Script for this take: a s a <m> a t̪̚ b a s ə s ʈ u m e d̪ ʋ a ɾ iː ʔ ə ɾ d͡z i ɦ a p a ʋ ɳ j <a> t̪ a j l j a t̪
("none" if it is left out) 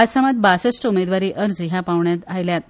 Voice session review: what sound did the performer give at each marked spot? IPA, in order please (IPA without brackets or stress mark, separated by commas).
m, a